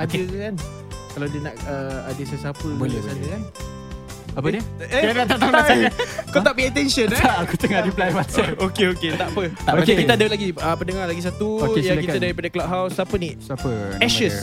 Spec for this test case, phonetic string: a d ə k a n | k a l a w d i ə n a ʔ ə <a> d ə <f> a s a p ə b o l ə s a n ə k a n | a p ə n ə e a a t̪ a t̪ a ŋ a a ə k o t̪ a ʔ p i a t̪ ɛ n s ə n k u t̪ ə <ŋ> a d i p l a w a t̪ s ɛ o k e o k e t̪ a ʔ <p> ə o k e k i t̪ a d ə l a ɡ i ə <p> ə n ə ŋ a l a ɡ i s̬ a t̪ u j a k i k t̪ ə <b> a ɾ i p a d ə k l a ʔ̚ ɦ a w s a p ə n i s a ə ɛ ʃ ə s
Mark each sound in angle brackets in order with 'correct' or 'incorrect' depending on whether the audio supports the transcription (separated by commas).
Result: correct, incorrect, correct, correct, correct, incorrect